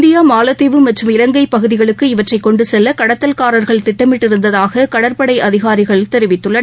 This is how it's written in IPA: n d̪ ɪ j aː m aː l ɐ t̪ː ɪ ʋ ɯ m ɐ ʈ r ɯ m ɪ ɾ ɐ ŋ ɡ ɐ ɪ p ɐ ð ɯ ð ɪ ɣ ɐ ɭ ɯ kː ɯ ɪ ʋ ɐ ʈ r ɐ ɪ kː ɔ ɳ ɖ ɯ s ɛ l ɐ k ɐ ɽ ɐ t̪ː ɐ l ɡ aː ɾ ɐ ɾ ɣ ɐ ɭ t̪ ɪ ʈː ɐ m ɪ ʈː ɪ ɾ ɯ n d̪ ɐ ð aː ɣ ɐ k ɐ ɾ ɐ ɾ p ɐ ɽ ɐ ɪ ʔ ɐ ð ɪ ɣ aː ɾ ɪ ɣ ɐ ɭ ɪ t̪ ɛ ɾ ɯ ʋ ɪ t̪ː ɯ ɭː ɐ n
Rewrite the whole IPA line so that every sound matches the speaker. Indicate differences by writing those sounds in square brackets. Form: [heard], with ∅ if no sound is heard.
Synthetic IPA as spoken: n d̪ ɪ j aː m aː l ɐ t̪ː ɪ ʋ ɯ m ɐ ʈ r ɯ m ɪ ɾ ɐ ŋ ɡ ɐ ɪ p ɐ [ɣ] ɯ ð ɪ ɣ ɐ ɭ ɯ kː ɯ ɪ ʋ ɐ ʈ r ɐ ɪ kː ɔ ɳ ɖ ɯ s ɛ [lː] ɐ k ɐ ɽ ɐ t̪ː ɐ l [k] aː ɾ ɐ ɾ ɣ ɐ ɭ t̪ ɪ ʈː ɐ m ɪ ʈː ɪ ɾ ɯ n d̪ ɐ ð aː ɣ ɐ k ɐ [ɽ] ɐ ɾ p ɐ ɽ ɐ ɪ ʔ ɐ ð ɪ ɣ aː ɾ ɪ ɣ ɐ ɭ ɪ t̪ ɛ ɾ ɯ ʋ ɪ t̪ː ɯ ɭː ɐ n

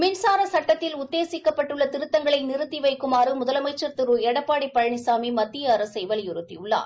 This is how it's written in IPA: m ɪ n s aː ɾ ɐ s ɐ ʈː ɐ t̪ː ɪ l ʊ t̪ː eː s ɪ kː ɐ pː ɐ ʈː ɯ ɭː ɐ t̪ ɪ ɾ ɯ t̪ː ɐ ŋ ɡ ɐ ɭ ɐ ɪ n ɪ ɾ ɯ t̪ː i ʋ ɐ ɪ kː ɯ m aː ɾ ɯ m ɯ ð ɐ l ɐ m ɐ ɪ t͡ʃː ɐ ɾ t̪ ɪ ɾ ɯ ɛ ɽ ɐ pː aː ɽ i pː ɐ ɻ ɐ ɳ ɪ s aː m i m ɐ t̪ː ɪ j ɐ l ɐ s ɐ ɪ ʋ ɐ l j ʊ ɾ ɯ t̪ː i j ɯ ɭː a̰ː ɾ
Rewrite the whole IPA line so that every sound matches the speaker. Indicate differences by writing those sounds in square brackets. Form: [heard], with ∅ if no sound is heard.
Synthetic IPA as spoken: m ɪ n s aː ɾ ɐ s ɐ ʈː ɐ t̪ː ɪ l ʊ t̪ː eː s ɪ kː ɐ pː ɐ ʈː ɯ ɭː ɐ t̪ ɪ ɾ ɯ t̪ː ɐ ŋ ɡ ɐ ɭ ɐ ɪ n ɪ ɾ ɯ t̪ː i ʋ ɐ ɪ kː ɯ m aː ɾ ɯ m [ʊ] ð ɐ l ɐ m ɐ ɪ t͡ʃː ɐ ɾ t̪ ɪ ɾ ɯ ɛ ɽ ɐ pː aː ɽ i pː ɐ ɻ ɐ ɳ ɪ s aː m i m ɐ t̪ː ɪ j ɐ [ɾ] ɐ s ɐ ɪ ʋ ɐ l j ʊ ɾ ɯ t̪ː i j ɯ ɭː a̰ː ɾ

